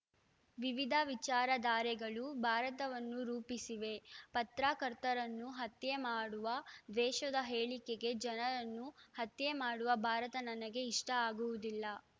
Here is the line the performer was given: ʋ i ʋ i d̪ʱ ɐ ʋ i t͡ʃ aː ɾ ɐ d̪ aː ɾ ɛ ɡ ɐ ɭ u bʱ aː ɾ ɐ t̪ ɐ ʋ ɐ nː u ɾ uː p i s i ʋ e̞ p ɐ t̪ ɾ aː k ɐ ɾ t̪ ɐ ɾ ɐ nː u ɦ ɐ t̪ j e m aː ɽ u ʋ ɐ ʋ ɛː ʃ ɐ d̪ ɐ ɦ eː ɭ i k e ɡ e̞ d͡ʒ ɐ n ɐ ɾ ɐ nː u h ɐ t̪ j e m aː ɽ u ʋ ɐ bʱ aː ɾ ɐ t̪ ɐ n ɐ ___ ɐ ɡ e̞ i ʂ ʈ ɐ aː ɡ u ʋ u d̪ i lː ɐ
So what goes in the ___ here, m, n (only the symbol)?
n